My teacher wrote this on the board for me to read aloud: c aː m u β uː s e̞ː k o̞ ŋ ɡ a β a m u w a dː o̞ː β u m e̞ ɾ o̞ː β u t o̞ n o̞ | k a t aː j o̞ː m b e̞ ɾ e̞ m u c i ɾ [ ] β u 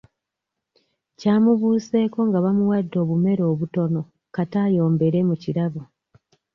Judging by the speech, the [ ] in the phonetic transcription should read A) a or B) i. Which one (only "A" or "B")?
A